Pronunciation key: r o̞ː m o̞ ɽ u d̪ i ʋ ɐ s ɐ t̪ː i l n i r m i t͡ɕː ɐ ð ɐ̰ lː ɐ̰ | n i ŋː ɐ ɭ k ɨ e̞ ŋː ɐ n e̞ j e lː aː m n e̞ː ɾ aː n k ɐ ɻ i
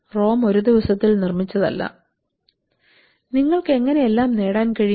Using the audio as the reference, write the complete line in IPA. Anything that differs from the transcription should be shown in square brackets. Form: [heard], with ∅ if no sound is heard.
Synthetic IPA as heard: r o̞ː m o̞ [ɾ] u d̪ i ʋ ɐ s ɐ t̪ː i l n i r m i t͡ɕː ɐ ð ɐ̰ lː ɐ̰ | n i ŋː ɐ ɭ k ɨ e̞ ŋː ɐ n e̞ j e lː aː m n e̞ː [ɽ] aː n k ɐ ɻ i